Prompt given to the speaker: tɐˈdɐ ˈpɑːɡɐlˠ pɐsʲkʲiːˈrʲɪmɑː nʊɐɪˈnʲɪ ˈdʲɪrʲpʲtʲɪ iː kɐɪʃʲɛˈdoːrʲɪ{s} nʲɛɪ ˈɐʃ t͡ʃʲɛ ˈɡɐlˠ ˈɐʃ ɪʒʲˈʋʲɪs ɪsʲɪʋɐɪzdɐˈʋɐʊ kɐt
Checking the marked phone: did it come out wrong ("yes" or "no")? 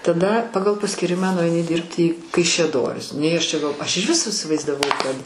no